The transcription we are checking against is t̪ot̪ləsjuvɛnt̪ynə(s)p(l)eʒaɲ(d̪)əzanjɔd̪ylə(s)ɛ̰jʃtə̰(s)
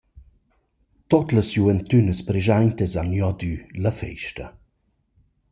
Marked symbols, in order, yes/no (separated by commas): yes, no, no, no, no